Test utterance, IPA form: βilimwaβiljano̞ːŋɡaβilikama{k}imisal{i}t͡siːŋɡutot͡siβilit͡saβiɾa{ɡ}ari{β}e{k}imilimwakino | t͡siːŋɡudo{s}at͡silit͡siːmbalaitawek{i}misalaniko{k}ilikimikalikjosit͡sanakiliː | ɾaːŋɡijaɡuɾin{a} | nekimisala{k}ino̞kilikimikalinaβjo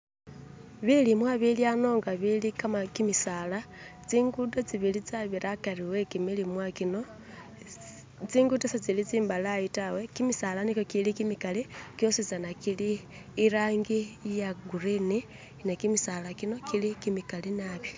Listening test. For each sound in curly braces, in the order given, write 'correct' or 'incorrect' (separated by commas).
correct, incorrect, incorrect, incorrect, correct, correct, correct, correct, incorrect, correct